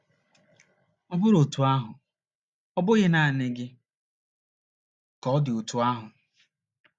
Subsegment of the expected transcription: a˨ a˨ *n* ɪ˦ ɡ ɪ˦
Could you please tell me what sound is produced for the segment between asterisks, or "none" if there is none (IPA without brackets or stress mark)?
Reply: n